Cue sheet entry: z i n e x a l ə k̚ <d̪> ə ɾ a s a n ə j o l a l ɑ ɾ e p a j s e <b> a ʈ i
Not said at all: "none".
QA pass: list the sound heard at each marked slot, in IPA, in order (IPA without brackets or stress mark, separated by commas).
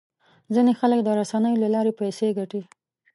d̪, ɡ